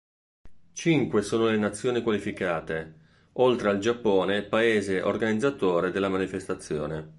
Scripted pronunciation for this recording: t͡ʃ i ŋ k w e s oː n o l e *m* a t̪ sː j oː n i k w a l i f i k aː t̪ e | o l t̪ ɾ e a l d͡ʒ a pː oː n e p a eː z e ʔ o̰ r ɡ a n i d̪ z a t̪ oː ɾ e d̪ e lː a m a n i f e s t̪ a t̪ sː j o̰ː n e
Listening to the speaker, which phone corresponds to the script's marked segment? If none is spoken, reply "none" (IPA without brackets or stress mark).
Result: n